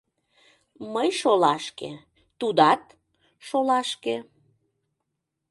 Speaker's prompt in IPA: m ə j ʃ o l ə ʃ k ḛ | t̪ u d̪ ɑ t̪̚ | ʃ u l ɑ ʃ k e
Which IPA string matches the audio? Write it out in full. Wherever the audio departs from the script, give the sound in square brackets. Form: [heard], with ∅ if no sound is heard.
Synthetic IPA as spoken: m ə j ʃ o l [ɑ] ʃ k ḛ | t̪ u d̪ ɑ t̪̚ | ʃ [o] l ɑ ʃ k e